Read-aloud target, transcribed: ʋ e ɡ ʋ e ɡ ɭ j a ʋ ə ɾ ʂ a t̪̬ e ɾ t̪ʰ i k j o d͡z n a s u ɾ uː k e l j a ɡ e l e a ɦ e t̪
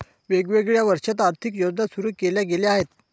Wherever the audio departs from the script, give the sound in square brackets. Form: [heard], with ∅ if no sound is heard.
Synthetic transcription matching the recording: ʋ e ɡ ʋ e ɡ ɭ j a ʋ ə ɾ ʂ a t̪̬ [a] ɾ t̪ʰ i k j o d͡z n a s u ɾ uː k e l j a ɡ e l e a ɦ e t̪

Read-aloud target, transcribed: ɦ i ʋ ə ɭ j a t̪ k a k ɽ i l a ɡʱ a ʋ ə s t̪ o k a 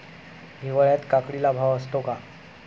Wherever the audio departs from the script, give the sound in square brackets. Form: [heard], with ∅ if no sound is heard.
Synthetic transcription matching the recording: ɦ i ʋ ə ɭ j a t̪ k a k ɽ i l a [bʱ] a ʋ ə s t̪ o k a

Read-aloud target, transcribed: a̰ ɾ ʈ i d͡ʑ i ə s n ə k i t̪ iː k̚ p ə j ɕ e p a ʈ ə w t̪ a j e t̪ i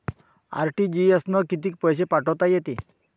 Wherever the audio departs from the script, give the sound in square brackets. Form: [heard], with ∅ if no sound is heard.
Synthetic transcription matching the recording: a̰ ɾ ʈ i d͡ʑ i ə s n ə k i t̪ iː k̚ p ə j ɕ e p a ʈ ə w t̪ a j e t̪ i

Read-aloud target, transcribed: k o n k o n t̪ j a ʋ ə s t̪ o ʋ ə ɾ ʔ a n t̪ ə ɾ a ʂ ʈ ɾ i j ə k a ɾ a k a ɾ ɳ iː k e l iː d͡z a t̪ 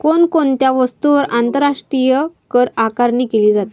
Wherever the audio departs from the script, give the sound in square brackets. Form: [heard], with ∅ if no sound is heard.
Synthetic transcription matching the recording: k o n k o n t̪ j a ʋ ə s t̪ [u] ʋ ə ɾ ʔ a n t̪ ə ɾ a ʂ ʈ ɾ i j ə k [ə] ɾ a k a ɾ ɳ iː k e l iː d͡z a t̪

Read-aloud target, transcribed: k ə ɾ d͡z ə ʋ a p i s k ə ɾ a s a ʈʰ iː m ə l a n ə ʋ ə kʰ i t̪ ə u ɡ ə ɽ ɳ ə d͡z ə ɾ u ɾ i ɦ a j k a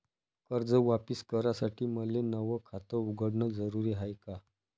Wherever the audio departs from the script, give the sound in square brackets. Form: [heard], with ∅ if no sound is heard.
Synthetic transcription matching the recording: k ə ɾ d͡z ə ʋ a p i s k ə ɾ a s a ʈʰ iː m ə l [e] n ə ʋ ə kʰ [a] t̪ ə u ɡ ə ɽ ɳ ə d͡z ə ɾ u ɾ i ɦ a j k a

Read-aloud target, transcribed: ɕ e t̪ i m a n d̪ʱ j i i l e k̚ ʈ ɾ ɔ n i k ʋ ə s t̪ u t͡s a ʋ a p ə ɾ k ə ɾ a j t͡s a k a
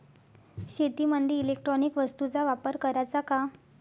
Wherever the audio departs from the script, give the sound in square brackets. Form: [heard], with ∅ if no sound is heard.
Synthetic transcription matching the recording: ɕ e t̪ i m [ə] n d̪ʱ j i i l e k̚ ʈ ɾ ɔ n i k ʋ ə s t̪ u t͡s a ʋ a p ə ɾ k ə ɾ a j t͡s a k a

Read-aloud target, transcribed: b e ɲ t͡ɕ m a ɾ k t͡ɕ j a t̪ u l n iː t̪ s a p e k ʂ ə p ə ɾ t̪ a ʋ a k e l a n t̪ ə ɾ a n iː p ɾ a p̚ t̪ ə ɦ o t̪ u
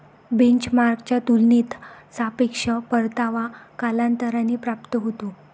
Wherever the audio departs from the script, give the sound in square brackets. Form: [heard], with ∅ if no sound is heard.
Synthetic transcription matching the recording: b e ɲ t͡ɕ m a ɾ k t͡ɕ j a t̪ u l n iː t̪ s a p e k ʂ ə p ə ɾ t̪ a ʋ a k [a] l a n t̪ ə ɾ a n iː p ɾ a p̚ t̪ ə ɦ o t̪ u

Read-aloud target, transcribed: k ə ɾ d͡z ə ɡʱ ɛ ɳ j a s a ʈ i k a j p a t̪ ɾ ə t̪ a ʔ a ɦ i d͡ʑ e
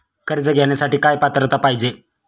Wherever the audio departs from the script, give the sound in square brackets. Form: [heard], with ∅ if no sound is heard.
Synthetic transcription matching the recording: k ə ɾ d͡z ə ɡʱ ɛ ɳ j a s a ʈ [iː] k a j p a t̪ ɾ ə t̪ a [p] a ɦ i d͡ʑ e

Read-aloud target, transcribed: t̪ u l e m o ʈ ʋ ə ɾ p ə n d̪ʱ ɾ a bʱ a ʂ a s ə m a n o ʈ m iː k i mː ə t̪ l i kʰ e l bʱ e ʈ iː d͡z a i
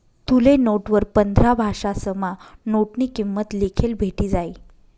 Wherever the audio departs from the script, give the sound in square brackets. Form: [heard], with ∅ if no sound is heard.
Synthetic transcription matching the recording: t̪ u l e [n] o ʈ ʋ ə ɾ p ə n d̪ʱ ɾ a bʱ a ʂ a s ə m a n o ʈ [n] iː k i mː ə t̪ l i kʰ e l bʱ e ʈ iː d͡z a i

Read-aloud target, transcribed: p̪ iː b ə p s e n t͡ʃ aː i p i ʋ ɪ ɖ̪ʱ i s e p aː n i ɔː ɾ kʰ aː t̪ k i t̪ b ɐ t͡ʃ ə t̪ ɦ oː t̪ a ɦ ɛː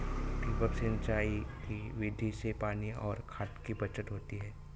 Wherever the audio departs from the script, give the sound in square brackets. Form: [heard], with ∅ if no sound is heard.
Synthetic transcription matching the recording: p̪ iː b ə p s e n t͡ʃ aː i [k] i ʋ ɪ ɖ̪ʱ i s e p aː n i ɔː ɾ kʰ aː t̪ k i [∅] b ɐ t͡ʃ ə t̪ ɦ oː t̪ [i] ɦ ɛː

